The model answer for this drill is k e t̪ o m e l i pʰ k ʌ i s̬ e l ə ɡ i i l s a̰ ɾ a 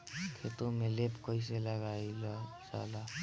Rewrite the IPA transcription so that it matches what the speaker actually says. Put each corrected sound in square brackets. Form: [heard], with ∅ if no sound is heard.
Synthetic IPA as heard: [kʰ] e t̪ o m e l [e] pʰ k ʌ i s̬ e l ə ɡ [a] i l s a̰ [l] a